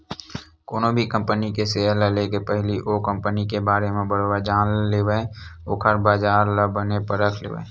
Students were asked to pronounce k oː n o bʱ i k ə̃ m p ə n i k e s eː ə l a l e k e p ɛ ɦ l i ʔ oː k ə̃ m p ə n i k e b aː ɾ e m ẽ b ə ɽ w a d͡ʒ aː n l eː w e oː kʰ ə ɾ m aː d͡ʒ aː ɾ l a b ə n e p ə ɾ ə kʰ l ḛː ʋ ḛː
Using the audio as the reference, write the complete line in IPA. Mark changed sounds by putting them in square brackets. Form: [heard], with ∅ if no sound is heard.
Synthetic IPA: k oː n o bʱ i k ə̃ m p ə n i k e s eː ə l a l e k e p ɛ ɦ l i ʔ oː k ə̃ m p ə n i k e b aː ɾ e m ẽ b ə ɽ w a d͡ʒ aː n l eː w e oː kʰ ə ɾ [b] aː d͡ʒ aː ɾ l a b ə n e p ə ɾ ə kʰ l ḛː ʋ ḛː